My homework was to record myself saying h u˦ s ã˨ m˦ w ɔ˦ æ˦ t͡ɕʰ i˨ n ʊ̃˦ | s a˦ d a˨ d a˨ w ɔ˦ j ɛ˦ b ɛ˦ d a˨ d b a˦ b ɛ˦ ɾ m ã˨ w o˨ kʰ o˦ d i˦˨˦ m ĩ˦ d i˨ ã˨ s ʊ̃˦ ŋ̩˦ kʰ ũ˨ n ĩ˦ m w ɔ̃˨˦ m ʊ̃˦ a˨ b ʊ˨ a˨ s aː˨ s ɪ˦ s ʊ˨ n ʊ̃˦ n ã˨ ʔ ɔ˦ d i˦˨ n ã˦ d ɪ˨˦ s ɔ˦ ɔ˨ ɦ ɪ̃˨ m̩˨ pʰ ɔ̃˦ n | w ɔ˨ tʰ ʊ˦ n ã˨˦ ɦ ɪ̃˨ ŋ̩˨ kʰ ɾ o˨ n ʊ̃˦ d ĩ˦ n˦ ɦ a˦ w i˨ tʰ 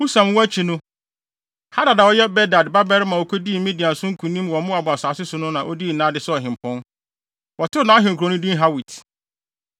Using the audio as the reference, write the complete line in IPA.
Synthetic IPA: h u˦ s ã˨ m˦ w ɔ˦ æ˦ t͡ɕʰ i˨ n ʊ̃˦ | h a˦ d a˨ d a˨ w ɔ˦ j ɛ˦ b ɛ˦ d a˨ d b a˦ b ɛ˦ ɾ m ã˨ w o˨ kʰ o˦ d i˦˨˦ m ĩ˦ d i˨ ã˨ s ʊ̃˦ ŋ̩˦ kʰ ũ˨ n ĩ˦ m w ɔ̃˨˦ m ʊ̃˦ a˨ b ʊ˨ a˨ s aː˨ s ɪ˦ s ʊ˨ n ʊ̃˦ n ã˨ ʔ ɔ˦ d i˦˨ n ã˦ d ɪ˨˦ s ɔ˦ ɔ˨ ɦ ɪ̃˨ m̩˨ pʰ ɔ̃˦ n | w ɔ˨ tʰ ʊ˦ n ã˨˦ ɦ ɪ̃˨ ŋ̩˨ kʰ ɾ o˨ n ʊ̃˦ d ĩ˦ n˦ ɦ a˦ w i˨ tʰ